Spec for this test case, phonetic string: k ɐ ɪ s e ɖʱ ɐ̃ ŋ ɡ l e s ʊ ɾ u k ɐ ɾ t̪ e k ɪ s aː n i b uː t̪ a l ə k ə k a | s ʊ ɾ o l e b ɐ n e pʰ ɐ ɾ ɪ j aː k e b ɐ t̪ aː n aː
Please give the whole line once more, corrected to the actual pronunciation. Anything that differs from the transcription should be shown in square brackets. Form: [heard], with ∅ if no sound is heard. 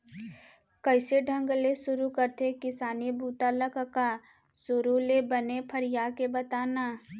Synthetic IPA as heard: k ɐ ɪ s e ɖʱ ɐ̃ ŋ ɡ l e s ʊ ɾ u k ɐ ɾ t̪ e k ɪ s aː n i b uː t̪ a l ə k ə k a | s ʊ ɾ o l e b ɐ n e pʰ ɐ ɾ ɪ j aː k e b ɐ t̪ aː n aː